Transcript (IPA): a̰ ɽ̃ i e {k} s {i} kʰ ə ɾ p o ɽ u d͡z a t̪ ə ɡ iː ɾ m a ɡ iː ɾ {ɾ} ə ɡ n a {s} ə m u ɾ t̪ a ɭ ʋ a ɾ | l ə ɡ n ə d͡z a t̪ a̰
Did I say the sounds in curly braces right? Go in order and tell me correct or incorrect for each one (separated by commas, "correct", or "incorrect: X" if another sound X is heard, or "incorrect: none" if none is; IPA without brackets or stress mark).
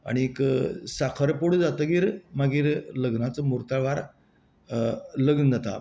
correct, incorrect: a, incorrect: l, incorrect: t͡s